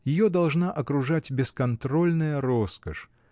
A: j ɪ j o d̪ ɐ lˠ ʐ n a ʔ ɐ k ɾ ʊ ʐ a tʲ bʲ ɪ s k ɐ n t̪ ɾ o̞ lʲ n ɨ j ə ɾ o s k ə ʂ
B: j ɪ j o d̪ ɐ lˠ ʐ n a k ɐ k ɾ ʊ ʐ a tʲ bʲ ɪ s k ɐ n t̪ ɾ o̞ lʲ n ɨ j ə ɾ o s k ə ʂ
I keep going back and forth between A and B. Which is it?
A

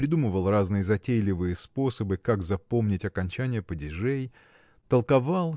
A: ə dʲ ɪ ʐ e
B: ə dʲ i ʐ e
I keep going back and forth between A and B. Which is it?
A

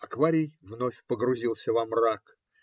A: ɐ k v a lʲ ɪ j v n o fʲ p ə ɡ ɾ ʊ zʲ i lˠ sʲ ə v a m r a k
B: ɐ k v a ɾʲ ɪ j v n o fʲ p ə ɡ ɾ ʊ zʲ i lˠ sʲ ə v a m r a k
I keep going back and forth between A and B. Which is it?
B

